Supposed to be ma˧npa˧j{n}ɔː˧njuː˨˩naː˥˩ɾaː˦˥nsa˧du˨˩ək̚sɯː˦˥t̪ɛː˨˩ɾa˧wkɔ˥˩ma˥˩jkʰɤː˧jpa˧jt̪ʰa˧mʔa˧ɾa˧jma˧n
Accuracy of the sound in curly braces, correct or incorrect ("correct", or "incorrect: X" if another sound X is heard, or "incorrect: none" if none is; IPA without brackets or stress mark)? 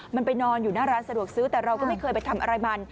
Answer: correct